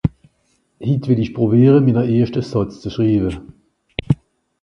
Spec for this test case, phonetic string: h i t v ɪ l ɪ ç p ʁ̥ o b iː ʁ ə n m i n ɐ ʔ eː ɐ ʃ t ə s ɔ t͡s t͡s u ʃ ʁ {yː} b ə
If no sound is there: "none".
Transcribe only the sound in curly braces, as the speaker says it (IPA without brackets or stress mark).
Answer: iː